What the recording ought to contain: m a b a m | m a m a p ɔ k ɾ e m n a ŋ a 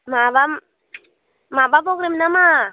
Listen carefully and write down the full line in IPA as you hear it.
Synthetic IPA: m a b a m | m a b a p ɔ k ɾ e m n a m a